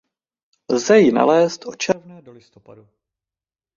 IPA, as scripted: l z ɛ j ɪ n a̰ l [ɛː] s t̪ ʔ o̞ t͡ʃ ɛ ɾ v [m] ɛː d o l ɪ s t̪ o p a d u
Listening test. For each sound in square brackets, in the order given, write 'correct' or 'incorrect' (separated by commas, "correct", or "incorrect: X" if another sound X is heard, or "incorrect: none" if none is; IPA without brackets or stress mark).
correct, incorrect: n